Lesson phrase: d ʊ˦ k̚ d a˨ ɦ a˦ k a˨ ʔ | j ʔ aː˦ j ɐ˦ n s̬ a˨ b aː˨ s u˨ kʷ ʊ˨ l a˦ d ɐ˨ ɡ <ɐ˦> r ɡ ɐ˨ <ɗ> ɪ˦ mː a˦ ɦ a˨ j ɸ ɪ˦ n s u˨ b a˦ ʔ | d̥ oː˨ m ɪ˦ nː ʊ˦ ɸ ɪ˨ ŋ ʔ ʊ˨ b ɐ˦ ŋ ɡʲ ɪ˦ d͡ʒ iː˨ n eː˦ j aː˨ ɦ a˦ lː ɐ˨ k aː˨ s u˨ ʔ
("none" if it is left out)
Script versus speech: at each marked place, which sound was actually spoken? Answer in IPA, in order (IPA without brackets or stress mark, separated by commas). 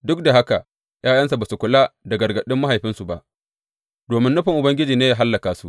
ɐ˨, ɗ